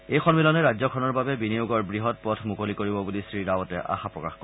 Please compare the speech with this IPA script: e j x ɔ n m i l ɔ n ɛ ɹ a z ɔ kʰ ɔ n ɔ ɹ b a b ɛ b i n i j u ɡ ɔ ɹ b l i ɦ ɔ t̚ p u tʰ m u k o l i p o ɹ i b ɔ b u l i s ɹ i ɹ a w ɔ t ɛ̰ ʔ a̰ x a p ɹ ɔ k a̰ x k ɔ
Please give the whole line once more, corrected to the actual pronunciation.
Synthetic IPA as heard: e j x ɔ n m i l ɔ n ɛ ɹ a z ɔ kʰ ɔ n ɔ ɹ b a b ɛ b i n i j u ɡ ɔ ɹ b ɹ i ɦ ɔ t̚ p ɔ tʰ m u k o l i k o ɹ i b ɔ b u l i s ɹ i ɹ a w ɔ t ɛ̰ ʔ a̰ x a p ɹ ɔ k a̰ x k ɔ

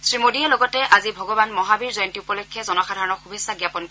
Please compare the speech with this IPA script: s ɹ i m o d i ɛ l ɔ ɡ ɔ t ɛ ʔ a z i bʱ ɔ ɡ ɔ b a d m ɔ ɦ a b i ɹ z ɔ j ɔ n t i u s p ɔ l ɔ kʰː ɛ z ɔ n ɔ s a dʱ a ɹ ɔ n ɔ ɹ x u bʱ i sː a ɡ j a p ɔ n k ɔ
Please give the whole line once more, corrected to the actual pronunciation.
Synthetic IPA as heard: s ɹ i m o d i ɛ l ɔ ɡ ɔ t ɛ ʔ a z i bʱ ɔ ɡ ɔ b a n m ɔ ɦ a b i ɹ z ɔ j ɔ n t i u p ɔ l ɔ kʰː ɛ z ɔ n ɔ x a dʱ a ɹ ɔ n ɔ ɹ x u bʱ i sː a ɡ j a p ɔ n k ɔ

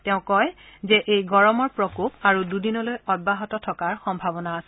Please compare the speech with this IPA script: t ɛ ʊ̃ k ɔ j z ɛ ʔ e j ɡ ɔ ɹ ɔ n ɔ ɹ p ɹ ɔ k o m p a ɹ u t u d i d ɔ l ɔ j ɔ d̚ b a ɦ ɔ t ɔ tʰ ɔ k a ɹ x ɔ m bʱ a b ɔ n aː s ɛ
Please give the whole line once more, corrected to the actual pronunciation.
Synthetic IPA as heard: t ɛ ʊ̃ k ɔ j z ɛ ʔ e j ɡ ɔ ɹ ɔ m ɔ ɹ p ɹ ɔ k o p a ɹ u d u d i n ɔ l o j ɔ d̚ b a ɦ ɔ t ɔ tʰ ɔ k a ɹ x ɔ m bʱ a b ɔ n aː s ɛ

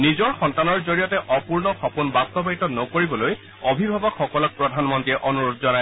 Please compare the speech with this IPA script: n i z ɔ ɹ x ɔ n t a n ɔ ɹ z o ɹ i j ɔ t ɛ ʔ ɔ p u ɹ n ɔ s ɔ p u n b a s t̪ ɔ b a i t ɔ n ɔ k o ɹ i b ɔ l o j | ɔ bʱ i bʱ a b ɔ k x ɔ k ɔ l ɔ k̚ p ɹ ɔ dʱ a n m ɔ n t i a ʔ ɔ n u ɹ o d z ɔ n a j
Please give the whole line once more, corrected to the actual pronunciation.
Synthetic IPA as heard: n i z ɔ ɹ x ɔ n t a n ɔ ɹ z o ɹ i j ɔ t ɛ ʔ ɔ p u ɹ n ɔ x ɔ p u n b a s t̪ ɔ b a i t ɔ n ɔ k o ɹ i b ɔ l o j | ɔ bʱ i bʱ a b ɔ k x ɔ k ɔ l ɔ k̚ p ɹ ɔ dʱ a n m ɔ n t i ɛ ʔ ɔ n u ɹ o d z ɔ n a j

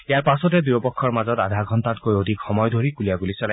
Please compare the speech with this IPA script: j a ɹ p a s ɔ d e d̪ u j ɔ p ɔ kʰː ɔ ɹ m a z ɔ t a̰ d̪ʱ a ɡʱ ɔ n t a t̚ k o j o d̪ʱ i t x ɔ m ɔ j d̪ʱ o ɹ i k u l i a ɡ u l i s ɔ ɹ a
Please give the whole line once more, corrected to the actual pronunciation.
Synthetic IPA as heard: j a ɹ p a s ɔ t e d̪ u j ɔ p ɔ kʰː ɔ ɹ m a z ɔ t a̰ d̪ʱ a ɡʱ ɔ n t a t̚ k o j o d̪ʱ i k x ɔ m ɔ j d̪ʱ o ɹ i k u l i a ɡ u l i s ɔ l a

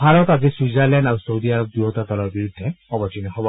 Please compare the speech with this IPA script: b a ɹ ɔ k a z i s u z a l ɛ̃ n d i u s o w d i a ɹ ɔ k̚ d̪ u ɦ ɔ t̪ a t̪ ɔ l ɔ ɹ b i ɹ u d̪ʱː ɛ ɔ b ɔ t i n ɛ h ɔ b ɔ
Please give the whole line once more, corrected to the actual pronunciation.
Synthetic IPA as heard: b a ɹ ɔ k a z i s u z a l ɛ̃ n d a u s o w d i a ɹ ɔ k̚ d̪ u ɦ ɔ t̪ a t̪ ɔ l ɔ ɹ b i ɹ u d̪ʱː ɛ ɔ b ɔ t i n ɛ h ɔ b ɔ

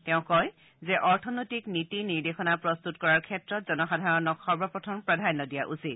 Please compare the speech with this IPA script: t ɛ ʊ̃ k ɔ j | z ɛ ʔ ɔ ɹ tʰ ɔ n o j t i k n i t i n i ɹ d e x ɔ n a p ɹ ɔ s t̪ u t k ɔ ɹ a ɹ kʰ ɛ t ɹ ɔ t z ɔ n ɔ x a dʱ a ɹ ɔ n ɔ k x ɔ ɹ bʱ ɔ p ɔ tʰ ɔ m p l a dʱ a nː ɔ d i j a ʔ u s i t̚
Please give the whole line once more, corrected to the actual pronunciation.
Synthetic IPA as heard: t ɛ ʊ̃ k ɔ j | z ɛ ʔ ɔ ɹ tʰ ɔ n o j t i k n i t i n i ɹ d e x ɔ n a p ɹ ɔ s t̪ u t k ɔ ɹ a ɹ kʰ ɛ t ɹ ɔ t z ɔ n ɔ x a dʱ a ɹ ɔ n ɔ k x ɔ ɹ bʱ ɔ p ɔ tʰ ɔ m p ɹ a dʱ a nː ɔ d i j a ʔ u s i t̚

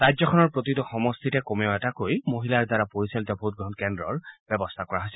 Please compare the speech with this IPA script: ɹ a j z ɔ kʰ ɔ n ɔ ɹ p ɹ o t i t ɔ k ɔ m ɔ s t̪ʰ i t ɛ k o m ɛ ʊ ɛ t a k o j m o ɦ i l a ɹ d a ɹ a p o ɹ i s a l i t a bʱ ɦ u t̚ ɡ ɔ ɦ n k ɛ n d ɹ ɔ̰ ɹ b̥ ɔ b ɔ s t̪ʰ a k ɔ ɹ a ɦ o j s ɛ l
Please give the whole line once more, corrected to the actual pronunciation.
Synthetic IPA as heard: ɹ a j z ɔ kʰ ɔ n ɔ ɹ p ɹ o t i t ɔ x ɔ m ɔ s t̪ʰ i t ɛ k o m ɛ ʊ ɛ t a k o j m o ɦ i l a ɹ d a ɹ a p o ɹ i s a l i t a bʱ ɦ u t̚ ɡ ɔ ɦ n k ɛ n d ɹ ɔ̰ ɹ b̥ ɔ b ɔ s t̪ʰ a k ɔ ɹ a ɦ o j s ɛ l

